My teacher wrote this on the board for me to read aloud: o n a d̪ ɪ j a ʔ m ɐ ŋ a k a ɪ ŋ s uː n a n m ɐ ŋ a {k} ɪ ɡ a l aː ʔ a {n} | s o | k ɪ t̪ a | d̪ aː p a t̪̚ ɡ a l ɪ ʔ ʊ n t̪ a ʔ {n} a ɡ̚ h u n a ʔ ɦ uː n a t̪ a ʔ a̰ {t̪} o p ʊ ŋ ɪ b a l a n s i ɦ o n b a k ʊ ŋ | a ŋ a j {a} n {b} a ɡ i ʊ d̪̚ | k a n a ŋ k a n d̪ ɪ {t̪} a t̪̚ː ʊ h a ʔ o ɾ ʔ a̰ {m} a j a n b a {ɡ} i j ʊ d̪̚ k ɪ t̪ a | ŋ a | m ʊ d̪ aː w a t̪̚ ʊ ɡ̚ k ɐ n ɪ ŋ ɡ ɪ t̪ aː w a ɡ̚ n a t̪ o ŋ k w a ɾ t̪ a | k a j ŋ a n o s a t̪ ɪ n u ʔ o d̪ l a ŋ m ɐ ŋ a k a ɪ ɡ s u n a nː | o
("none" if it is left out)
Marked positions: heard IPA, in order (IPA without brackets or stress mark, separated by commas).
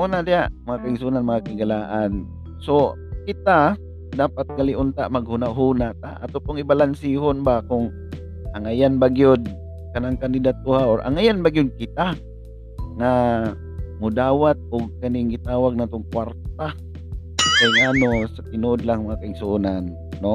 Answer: k, n, m, t̪, a, b, d̪, ŋ, ɡ